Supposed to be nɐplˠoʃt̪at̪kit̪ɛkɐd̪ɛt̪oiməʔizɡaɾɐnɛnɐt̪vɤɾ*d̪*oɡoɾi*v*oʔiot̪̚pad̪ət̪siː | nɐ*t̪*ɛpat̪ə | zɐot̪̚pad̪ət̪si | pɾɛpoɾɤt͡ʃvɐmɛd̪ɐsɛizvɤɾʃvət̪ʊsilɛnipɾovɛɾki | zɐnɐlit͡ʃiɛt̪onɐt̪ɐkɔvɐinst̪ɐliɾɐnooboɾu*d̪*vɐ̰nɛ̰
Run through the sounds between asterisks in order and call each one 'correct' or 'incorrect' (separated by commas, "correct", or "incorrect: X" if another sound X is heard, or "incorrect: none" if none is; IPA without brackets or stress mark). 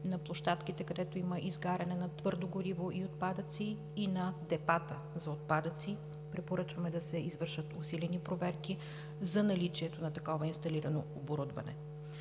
correct, correct, incorrect: d̪, correct